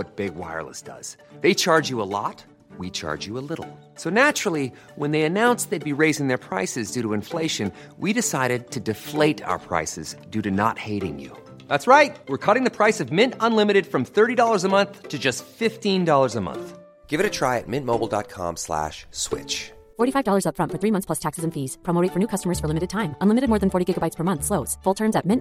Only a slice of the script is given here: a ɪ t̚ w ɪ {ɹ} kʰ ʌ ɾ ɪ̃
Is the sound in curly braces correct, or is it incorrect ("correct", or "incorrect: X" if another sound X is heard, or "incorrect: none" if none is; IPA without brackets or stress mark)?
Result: correct